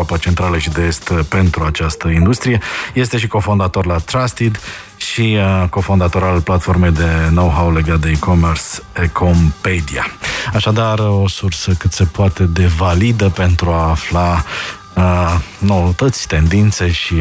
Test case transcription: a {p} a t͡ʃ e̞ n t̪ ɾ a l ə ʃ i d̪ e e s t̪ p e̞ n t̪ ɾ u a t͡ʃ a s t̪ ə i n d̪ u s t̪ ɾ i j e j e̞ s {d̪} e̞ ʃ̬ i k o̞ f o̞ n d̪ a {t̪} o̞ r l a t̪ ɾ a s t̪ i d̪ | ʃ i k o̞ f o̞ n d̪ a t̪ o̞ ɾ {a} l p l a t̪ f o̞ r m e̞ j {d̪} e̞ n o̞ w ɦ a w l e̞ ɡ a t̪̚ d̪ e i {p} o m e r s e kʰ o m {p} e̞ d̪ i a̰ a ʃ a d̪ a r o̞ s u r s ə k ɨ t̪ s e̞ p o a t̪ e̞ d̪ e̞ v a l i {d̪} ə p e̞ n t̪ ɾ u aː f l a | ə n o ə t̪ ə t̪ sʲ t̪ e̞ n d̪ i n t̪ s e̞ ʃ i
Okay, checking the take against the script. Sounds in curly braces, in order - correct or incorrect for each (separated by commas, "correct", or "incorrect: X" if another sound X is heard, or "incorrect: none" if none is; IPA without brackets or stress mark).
correct, incorrect: t̪, correct, correct, correct, incorrect: k, correct, correct